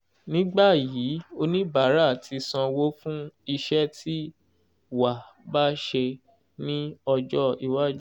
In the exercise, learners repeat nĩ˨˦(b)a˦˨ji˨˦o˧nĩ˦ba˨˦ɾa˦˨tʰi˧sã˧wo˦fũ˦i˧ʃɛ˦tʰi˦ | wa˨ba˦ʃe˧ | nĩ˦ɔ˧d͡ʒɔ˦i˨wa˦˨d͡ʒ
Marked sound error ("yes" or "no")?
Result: yes